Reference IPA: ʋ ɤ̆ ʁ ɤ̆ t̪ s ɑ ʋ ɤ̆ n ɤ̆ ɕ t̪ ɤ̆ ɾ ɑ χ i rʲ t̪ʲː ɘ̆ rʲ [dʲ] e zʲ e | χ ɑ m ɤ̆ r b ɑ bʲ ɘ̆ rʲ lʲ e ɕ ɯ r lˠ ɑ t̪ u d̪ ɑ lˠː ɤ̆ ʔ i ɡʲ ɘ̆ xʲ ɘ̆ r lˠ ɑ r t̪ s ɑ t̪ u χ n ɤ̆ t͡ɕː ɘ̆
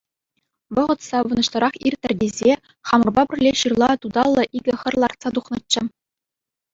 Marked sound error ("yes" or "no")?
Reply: no